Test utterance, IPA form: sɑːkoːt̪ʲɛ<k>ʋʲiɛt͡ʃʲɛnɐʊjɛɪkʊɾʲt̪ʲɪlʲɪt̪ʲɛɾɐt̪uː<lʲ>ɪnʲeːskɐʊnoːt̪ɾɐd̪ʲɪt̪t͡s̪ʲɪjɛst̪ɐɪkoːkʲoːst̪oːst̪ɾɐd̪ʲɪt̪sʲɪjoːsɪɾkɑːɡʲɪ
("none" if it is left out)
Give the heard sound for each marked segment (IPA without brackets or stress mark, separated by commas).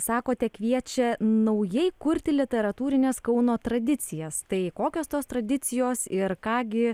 k, ɾʲ